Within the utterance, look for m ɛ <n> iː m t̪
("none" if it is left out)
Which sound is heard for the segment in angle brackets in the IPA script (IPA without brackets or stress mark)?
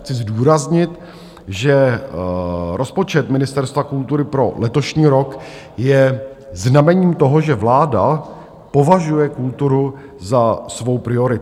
ɲ